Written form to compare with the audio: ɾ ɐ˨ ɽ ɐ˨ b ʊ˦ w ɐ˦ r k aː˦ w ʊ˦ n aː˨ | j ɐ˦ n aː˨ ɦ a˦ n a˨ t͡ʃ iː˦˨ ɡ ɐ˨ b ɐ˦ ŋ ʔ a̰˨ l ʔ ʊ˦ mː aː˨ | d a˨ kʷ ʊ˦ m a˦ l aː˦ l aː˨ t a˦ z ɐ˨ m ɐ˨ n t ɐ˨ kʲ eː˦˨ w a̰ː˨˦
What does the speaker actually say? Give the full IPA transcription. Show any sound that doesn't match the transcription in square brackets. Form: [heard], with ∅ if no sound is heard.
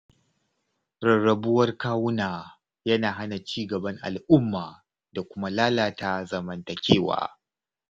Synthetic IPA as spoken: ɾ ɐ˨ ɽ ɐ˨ b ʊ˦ w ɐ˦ r k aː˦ w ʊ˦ n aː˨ | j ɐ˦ n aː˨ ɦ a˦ n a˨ t͡ʃ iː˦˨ ɡ ɐ˨ b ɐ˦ ŋ ʔ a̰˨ l ʔ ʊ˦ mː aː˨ | d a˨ kʷ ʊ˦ m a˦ l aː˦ l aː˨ t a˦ z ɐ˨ m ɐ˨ n t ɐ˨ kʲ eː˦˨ w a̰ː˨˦